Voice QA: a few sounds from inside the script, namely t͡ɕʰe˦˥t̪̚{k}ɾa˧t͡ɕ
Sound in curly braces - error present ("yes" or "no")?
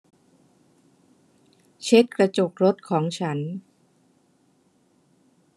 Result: no